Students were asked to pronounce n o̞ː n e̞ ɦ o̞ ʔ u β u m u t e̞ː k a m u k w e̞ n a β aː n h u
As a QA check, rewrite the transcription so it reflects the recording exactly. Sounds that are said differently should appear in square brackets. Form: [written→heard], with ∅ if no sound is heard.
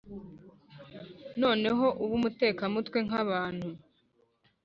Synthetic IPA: n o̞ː n e̞ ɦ o̞ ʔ u β u m u t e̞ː k a m u [k→t] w e̞ [n→ŋ] a β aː n h u